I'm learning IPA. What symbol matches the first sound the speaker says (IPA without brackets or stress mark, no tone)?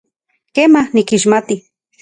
k